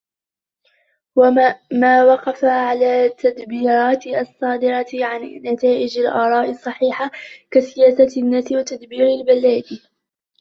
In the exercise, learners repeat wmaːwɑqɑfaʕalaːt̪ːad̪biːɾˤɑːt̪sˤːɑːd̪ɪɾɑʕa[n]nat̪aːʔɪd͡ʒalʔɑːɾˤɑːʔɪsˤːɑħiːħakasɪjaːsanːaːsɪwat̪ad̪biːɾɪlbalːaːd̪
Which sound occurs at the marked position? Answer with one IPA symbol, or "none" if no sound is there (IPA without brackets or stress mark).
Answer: n